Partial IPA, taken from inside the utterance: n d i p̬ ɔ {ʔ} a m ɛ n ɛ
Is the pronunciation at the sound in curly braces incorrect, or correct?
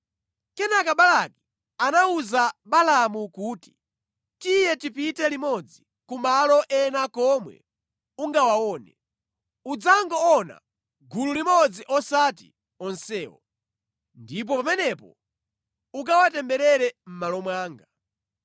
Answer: incorrect: p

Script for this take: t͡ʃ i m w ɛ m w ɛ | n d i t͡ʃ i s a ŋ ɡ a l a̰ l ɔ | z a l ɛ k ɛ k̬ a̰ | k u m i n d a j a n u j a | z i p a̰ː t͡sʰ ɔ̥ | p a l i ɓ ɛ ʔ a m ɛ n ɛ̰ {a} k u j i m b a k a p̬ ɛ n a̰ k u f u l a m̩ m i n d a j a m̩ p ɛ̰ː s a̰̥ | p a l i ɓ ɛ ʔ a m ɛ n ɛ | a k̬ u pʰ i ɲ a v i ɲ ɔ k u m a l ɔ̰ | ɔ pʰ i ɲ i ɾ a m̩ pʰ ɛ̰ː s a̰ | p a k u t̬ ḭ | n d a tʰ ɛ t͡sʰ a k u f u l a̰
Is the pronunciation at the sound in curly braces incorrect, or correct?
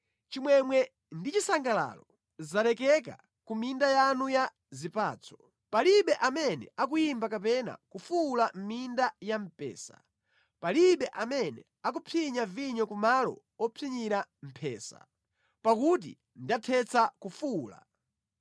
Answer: correct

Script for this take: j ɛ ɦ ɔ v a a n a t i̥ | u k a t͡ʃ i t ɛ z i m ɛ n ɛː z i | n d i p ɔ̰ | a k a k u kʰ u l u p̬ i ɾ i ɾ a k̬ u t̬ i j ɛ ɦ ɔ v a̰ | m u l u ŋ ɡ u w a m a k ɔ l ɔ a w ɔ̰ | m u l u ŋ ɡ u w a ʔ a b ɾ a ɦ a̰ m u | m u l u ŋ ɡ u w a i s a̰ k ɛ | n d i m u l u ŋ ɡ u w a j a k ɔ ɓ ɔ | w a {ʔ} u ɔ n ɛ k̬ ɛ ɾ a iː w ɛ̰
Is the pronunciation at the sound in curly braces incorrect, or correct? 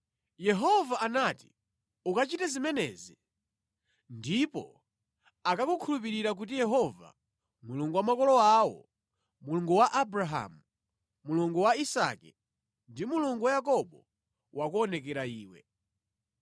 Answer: incorrect: k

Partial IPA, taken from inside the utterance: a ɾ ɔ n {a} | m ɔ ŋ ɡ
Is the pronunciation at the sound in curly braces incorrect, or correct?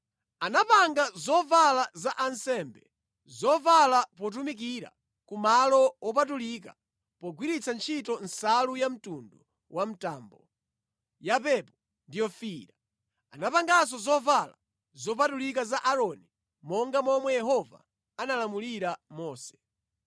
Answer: incorrect: i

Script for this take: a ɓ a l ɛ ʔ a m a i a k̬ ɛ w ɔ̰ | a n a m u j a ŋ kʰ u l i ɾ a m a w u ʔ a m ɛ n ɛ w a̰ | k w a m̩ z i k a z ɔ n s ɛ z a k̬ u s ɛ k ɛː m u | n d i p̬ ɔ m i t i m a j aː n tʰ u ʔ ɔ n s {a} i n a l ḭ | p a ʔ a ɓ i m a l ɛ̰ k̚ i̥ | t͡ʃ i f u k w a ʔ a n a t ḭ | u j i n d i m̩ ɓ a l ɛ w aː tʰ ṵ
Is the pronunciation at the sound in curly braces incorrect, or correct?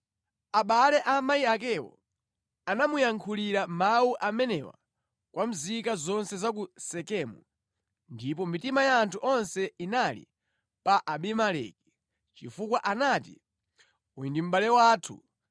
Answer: incorrect: ɛ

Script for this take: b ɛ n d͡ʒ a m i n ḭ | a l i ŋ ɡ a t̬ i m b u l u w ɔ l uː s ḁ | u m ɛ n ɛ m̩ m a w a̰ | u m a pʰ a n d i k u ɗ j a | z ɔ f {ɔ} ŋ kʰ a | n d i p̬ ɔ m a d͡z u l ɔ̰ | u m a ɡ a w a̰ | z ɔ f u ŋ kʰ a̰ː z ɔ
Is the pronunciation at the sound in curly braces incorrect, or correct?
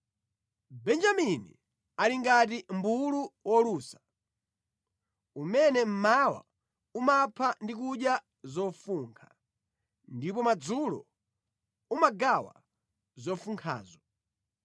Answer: incorrect: u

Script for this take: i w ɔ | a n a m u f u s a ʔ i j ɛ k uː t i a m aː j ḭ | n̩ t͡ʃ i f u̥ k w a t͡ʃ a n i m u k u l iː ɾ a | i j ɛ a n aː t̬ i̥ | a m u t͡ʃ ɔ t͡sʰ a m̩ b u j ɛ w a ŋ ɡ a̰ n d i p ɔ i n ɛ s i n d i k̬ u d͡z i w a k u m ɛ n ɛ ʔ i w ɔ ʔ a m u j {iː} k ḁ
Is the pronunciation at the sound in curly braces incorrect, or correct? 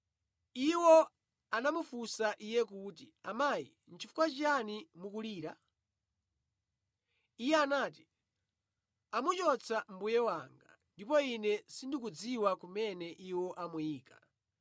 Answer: correct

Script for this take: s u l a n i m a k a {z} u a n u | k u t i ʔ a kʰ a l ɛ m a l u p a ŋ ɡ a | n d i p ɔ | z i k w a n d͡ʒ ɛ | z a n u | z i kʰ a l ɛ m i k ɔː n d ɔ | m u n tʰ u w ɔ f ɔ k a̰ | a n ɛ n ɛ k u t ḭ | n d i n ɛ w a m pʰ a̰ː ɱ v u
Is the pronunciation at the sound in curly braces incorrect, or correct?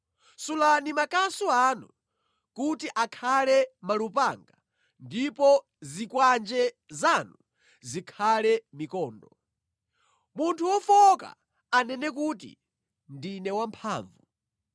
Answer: incorrect: s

